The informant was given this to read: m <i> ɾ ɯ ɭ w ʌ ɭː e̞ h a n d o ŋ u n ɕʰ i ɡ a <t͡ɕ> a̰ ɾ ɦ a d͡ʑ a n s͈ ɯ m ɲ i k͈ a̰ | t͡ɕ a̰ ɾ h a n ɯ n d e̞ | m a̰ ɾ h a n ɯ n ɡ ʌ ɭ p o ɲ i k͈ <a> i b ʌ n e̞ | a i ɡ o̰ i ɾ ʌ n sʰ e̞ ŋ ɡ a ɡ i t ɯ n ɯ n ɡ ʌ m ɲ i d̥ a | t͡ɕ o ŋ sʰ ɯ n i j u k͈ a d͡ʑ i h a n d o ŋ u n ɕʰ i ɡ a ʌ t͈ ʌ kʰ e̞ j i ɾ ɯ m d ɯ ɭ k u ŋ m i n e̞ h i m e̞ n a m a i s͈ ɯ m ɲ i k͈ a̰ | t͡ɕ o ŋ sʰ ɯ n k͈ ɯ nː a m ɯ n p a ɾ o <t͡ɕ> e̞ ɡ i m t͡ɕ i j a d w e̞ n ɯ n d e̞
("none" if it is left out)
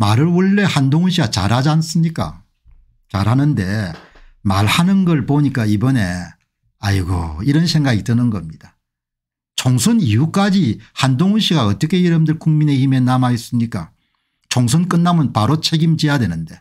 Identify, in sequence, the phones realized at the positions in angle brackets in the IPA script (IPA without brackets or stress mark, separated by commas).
a, t͡ɕ, a, t͡ɕʰ